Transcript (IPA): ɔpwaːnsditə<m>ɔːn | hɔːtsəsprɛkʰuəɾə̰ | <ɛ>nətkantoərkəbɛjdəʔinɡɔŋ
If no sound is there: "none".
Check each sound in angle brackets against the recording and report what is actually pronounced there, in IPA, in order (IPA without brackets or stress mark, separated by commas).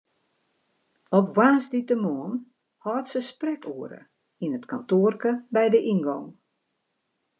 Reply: m, i